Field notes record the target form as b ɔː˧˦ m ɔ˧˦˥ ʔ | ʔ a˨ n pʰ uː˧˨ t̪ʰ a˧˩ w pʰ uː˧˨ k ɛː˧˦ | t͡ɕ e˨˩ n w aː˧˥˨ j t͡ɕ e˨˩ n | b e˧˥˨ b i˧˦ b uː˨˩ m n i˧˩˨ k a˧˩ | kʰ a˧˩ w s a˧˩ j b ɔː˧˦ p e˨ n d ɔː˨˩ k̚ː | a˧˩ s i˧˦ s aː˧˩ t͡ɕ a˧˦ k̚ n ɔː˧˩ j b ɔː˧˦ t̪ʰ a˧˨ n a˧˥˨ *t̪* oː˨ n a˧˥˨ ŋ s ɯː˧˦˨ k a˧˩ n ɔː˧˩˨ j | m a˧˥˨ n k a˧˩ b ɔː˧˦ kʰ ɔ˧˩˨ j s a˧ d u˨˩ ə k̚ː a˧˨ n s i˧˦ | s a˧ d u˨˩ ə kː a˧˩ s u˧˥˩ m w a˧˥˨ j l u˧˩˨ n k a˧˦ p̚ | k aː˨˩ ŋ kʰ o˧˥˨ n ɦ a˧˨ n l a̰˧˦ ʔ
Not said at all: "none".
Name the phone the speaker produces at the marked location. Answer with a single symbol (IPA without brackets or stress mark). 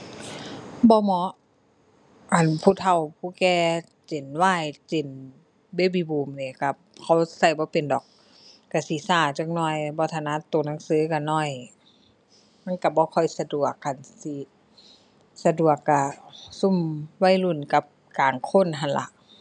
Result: t̪